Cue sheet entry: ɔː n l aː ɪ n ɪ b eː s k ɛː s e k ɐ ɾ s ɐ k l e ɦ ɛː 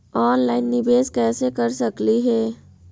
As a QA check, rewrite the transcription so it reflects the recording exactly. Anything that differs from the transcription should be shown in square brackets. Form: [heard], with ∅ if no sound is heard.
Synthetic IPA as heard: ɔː n l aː ɪ [nː] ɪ b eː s k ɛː s e k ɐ ɾ s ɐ k l [i] ɦ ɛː